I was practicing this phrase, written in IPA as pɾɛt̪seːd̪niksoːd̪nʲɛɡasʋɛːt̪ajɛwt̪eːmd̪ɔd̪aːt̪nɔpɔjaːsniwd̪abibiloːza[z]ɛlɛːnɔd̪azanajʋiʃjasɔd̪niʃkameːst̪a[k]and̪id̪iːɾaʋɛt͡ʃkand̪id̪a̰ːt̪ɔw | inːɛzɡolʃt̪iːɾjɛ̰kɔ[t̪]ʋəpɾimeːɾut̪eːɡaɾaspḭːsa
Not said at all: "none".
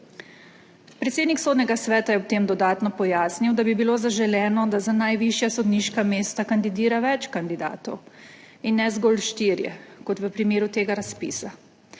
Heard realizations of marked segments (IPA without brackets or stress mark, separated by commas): ʒ, k, t̪